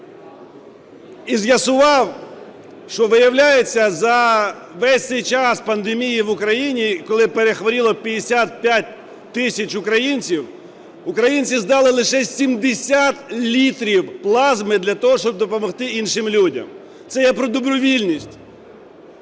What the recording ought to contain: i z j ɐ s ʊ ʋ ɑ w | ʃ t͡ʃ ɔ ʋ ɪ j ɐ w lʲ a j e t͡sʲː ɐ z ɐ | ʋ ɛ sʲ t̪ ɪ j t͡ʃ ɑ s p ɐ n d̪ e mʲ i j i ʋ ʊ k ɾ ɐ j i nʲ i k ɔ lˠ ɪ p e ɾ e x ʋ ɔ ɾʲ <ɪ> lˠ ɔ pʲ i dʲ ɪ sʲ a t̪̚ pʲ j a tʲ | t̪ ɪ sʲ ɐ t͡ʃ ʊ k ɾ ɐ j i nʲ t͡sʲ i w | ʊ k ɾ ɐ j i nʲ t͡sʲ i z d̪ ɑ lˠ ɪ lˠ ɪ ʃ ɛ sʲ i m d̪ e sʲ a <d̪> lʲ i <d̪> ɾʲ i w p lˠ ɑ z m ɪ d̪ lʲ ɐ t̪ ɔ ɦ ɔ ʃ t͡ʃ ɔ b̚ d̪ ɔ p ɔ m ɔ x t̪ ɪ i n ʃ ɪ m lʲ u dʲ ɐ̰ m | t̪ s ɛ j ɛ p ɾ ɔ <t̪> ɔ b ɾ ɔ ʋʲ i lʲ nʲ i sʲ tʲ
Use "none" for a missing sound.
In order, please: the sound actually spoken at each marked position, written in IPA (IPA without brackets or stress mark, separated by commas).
i, t̪, t̪, d̪